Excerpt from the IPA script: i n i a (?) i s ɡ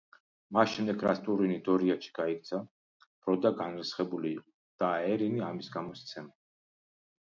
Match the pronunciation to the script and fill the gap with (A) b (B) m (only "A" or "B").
B